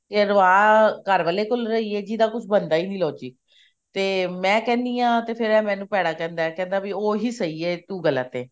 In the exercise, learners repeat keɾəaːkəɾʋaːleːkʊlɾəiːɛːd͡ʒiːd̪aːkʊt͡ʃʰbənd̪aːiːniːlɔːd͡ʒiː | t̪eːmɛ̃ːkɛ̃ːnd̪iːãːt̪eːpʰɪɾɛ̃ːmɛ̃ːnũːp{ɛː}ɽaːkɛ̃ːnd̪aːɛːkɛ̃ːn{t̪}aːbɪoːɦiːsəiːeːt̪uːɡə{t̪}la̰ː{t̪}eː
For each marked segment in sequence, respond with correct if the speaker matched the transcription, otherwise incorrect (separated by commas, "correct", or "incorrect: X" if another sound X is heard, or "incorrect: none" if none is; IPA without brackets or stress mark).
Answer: correct, incorrect: d̪, incorrect: none, correct